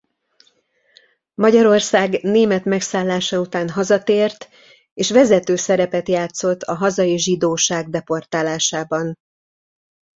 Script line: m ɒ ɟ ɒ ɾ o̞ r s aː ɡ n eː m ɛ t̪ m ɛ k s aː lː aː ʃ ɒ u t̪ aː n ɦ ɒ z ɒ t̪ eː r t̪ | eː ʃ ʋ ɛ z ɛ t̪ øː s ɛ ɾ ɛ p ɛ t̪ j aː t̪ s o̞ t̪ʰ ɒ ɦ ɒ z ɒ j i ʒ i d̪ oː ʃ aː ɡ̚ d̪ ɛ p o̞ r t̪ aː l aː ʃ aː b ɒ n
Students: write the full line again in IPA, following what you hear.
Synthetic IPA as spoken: m ɒ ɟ ɒ ɾ o̞ r s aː ɡ n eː m ɛ t̪ m ɛ k s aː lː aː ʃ ɒ u t̪ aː n ɦ ɒ z ɒ t̪ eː r t̪ | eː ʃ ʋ ɛ z ɛ t̪ øː s ɛ ɾ ɛ p ɛ t̪ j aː t̪ s o̞ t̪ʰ ɒ ɦ ɒ z ɒ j i ʒ i d̪ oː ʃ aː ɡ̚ d̪ ɛ p o̞ r t̪ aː l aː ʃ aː b ɒ n